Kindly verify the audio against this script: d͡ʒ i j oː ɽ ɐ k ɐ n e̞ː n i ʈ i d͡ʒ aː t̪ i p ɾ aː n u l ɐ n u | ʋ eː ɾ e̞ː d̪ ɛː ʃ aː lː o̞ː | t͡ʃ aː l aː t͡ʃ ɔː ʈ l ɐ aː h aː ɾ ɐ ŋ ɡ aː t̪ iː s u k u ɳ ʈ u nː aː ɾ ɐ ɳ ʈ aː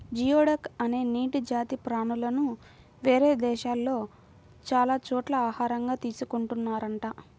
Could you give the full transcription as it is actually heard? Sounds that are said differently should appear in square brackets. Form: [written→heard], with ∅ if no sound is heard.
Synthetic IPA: d͡ʒ i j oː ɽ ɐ k ɐ n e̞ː n [i→iː] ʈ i d͡ʒ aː t̪ i p ɾ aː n u l ɐ n u | ʋ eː ɾ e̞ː d̪ ɛː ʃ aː lː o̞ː | t͡ʃ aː l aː t͡ʃ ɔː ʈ l ɐ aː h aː ɾ ɐ ŋ ɡ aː t̪ iː s u k u ɳ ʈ u nː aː ɾ ɐ ɳ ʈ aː

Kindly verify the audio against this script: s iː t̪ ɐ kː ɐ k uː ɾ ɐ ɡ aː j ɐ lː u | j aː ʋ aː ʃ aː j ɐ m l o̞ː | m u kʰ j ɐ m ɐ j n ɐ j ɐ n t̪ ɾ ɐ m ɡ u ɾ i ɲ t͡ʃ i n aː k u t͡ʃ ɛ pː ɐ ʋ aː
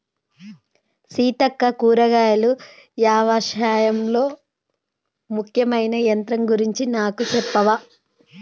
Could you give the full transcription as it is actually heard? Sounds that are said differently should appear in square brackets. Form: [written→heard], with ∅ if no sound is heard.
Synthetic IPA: s iː t̪ ɐ kː ɐ k uː ɾ ɐ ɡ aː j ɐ [lː→l] u | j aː ʋ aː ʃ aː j ɐ m l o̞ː | m u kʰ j ɐ m ɐ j n ɐ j ɐ n t̪ ɾ ɐ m ɡ u ɾ i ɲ t͡ʃ i n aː k u t͡ʃ ɛ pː ɐ ʋ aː

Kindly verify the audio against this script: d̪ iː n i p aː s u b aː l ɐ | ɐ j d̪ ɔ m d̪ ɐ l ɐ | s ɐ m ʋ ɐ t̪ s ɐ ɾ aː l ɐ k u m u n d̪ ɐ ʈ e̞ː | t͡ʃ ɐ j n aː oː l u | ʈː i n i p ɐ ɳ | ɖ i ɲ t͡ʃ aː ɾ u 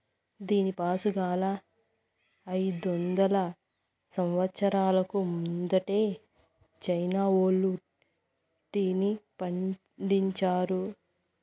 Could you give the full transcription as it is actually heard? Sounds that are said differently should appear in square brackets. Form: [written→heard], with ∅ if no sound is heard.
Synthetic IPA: d̪ iː n i p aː s u [b→ɡ] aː l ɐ | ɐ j d̪ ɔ [m→n] d̪ ɐ l ɐ | s ɐ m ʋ ɐ t̪ s ɐ ɾ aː l ɐ k u m u n d̪ ɐ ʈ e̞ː | t͡ʃ ɐ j n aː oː l u | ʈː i n i p ɐ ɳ | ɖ i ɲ t͡ʃ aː ɾ u

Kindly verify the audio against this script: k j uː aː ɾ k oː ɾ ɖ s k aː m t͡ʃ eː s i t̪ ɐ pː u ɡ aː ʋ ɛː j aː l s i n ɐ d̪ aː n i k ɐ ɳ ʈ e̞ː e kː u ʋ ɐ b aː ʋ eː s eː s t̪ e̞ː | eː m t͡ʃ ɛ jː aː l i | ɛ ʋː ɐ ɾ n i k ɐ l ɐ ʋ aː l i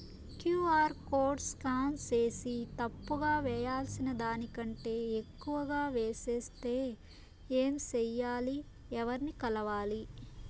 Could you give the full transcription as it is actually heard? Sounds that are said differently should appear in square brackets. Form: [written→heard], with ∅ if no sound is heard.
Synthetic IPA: k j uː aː ɾ k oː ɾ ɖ s k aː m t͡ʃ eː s i t̪ ɐ pː u ɡ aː ʋ ɛː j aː l s i n ɐ d̪ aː n i k ɐ ɳ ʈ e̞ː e kː u ʋ ɐ [b→ɡ] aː ʋ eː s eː s t̪ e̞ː | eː m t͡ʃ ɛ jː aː l i | ɛ [ʋː→ʋ] ɐ ɾ n i k ɐ l ɐ ʋ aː l i

